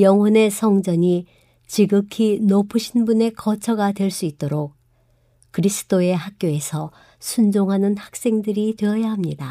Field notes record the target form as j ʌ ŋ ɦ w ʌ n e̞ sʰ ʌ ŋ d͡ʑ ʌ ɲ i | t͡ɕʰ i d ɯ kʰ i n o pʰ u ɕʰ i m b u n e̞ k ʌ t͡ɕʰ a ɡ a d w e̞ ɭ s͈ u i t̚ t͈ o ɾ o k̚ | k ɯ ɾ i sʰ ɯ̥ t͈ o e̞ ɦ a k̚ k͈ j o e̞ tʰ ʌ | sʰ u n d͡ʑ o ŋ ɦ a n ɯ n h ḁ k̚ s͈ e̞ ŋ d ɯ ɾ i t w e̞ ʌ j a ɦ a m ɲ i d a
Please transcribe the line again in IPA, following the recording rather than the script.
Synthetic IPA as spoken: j ʌ ŋ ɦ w ʌ n e̞ sʰ ʌ ŋ d͡ʑ ʌ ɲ i | t͡ɕ i ɡ ɯ kʰ i n o pʰ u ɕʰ i n b u n e̞ k ʌ t͡ɕʰ ʌ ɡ a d w e̞ ɭ s͈ u i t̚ t͈ o ɾ o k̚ | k ɯ ɾ i sʰ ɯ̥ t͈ o e̞ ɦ a k̚ k͈ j o e̞ sʰ ʌ | sʰ u n d͡ʑ o ŋ ɦ a n ɯ n h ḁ k̚ s͈ e̞ ŋ d ɯ ɾ i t w e̞ ʌ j a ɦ a m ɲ i d a